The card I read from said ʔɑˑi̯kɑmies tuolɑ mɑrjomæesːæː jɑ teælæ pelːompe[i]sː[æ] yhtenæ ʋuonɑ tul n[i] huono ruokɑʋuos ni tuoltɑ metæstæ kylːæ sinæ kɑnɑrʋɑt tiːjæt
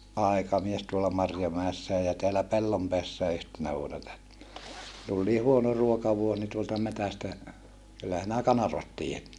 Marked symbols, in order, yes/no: no, no, no

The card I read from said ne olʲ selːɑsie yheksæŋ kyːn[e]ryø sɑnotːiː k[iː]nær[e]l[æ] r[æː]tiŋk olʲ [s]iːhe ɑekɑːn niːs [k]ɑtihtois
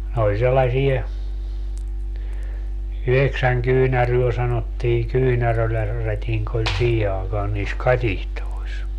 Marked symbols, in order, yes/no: no, no, no, yes, no, yes, yes

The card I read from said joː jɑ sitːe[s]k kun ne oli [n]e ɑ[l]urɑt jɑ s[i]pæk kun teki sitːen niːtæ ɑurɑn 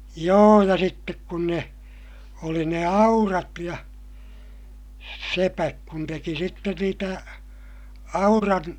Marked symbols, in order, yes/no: no, yes, no, no

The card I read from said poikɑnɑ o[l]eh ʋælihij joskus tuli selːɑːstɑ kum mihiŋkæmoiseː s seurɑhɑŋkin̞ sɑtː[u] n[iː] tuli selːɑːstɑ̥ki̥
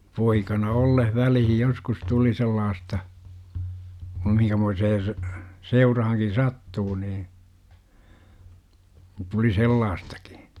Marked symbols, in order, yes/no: no, no, yes

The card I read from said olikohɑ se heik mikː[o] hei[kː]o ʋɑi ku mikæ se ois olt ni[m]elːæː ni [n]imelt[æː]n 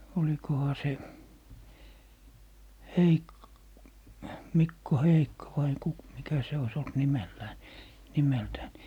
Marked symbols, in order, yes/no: yes, yes, yes, yes, yes

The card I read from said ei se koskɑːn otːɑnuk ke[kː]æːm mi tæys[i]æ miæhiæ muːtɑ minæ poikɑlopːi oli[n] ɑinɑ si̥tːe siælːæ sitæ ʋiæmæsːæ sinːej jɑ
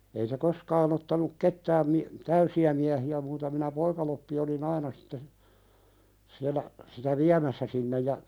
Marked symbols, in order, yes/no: no, yes, yes

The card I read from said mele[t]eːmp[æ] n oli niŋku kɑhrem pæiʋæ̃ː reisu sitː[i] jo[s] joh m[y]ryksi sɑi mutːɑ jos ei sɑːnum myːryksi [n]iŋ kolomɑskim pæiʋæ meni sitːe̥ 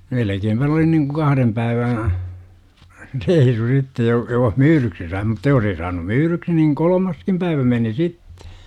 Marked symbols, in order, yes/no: no, yes, no, no, no, yes

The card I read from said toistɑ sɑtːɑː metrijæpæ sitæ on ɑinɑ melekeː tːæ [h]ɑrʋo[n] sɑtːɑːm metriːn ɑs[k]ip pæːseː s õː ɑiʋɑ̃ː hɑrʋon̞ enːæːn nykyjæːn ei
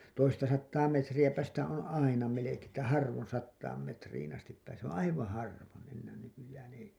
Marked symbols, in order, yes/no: yes, yes, no

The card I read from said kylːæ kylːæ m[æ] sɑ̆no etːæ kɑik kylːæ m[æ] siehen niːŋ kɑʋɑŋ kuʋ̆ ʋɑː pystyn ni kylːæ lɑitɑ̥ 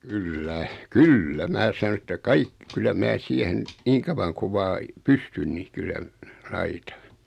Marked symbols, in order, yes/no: no, no

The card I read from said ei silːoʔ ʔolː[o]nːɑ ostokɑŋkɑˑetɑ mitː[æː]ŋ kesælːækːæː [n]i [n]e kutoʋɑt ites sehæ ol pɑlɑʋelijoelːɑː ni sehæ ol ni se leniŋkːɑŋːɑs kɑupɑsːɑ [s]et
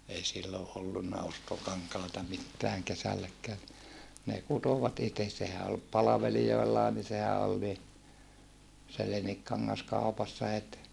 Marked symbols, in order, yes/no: no, yes, yes, yes, no

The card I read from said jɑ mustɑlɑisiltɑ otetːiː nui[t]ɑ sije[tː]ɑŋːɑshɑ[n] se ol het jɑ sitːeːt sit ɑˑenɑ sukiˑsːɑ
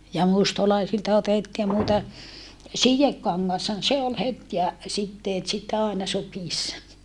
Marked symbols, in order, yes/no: yes, no, yes

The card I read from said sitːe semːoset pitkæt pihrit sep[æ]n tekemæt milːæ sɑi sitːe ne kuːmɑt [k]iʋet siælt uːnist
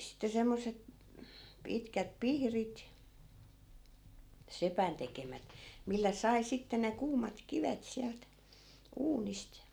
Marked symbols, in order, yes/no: yes, yes

